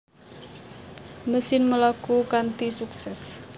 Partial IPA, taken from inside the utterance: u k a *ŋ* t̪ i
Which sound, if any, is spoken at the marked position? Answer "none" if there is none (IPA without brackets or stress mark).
n